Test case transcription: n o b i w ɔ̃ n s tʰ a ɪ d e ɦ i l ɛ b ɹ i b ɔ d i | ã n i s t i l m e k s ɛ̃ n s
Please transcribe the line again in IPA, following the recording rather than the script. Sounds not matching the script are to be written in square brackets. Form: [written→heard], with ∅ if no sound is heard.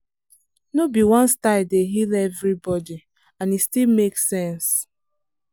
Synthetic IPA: n o b i w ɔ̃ n s [tʰ→t] a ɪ d e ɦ i l ɛ [b→v] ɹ i b ɔ d i | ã n i s t i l m e k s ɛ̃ n s